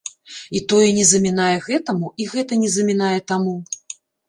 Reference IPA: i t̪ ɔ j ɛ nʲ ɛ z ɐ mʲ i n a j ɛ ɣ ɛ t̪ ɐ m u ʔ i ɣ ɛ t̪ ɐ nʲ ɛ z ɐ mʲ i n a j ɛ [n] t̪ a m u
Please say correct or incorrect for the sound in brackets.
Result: incorrect